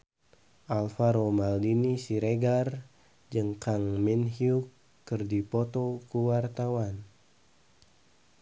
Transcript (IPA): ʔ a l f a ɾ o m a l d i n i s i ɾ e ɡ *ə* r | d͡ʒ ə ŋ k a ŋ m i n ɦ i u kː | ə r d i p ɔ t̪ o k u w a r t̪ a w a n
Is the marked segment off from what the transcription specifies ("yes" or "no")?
yes